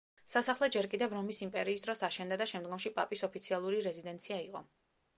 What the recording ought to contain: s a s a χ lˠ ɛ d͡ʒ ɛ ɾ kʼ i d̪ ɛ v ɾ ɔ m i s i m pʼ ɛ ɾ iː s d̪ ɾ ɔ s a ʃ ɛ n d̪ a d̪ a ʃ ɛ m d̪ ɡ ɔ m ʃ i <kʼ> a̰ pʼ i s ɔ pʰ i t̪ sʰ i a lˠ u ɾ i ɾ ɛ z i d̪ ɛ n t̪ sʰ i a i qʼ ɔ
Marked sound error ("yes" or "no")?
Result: yes